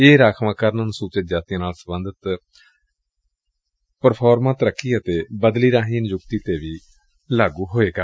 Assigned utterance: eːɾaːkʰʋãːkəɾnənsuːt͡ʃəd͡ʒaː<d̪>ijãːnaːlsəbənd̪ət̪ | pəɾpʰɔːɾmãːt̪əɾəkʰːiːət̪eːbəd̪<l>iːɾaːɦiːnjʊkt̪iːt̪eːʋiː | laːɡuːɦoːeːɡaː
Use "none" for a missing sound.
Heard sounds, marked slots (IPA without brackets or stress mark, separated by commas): t̪, l